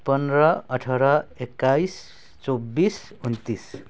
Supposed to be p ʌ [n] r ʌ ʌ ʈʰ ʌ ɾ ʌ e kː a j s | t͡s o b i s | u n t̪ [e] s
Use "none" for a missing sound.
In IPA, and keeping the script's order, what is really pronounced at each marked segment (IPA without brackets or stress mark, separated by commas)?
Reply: n, i